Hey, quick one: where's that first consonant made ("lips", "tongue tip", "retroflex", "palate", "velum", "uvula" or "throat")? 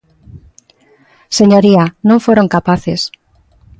tongue tip